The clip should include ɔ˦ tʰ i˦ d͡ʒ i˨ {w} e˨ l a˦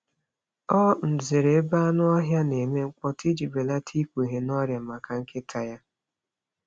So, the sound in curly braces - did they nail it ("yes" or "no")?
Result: no